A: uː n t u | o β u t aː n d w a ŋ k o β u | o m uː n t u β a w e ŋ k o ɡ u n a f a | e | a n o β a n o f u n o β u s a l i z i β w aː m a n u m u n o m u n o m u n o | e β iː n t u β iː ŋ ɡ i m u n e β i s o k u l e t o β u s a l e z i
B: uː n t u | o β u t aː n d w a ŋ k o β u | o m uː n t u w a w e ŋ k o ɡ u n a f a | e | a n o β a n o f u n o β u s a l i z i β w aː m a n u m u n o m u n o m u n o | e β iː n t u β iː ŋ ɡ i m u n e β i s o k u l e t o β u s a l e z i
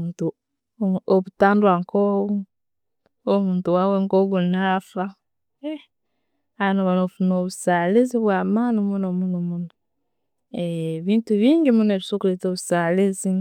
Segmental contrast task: B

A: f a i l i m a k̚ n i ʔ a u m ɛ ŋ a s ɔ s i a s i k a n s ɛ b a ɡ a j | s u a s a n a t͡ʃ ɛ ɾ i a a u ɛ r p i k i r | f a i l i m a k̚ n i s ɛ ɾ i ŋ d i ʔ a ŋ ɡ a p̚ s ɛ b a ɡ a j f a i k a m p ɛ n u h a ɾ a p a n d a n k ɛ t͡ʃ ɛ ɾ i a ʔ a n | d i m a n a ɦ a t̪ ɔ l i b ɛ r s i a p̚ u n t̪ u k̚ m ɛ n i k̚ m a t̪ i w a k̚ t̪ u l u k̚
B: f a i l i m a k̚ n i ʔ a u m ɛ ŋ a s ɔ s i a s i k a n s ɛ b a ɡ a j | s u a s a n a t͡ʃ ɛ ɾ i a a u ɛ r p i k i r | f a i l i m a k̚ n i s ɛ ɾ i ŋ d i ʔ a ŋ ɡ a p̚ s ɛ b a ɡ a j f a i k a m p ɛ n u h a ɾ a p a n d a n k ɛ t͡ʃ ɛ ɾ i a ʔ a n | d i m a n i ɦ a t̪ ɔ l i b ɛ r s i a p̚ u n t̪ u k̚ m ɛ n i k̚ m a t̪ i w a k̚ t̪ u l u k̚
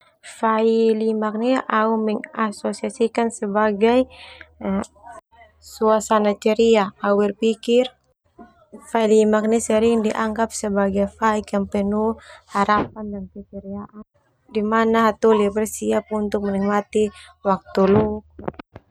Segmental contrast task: A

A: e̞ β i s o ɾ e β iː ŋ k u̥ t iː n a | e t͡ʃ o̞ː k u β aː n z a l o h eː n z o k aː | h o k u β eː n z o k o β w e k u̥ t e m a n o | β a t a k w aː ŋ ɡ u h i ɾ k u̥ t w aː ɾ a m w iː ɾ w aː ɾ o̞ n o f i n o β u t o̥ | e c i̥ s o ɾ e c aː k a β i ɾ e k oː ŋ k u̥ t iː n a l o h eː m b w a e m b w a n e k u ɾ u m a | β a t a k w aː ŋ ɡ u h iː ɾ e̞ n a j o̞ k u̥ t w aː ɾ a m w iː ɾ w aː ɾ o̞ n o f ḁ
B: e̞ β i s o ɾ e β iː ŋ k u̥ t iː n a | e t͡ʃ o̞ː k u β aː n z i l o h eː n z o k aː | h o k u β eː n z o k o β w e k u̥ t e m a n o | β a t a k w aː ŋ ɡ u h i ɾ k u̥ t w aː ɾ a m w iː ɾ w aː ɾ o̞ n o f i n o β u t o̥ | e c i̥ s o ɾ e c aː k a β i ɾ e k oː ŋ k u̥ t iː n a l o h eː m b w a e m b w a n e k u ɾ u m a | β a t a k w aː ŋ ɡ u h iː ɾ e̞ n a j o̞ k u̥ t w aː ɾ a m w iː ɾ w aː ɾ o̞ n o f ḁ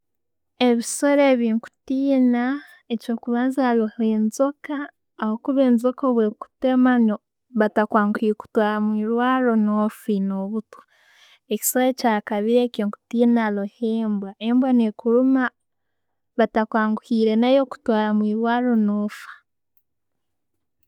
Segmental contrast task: A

